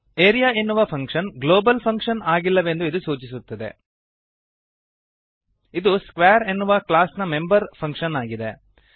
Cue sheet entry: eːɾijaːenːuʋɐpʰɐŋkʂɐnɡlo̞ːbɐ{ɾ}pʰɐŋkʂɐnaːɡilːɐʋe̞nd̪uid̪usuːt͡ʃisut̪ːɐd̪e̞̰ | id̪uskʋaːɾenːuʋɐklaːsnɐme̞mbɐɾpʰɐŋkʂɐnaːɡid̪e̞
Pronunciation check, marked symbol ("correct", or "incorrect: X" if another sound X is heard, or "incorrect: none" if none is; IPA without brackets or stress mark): incorrect: l